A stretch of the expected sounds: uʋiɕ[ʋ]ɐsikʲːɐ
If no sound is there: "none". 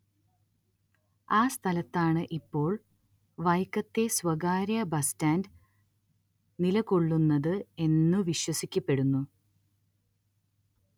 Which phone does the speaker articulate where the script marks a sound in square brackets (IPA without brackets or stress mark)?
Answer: w